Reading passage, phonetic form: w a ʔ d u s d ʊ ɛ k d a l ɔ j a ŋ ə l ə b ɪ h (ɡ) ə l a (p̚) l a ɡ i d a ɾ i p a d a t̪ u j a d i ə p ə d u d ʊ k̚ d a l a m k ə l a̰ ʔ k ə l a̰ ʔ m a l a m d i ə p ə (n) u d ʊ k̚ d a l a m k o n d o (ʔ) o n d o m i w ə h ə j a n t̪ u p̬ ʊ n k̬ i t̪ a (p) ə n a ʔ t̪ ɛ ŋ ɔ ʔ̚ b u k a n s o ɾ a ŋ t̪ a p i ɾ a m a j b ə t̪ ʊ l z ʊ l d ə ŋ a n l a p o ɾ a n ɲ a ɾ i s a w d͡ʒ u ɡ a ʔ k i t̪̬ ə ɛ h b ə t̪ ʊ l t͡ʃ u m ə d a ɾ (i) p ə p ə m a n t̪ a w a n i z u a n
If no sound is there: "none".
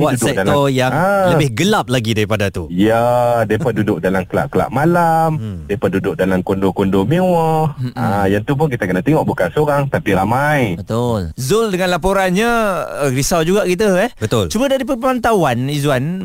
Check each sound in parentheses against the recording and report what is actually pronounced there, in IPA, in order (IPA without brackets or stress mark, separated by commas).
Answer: ɡ, p̚, d, k, k, i